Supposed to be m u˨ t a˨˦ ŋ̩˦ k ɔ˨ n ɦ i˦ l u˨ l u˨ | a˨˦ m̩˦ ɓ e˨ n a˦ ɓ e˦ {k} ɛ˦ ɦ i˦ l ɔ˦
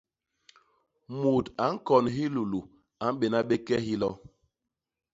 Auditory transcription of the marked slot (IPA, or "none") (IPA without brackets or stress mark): k